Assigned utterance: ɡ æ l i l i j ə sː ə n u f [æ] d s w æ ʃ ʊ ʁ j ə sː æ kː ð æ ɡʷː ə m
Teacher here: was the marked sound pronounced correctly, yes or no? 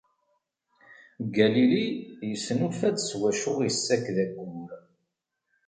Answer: yes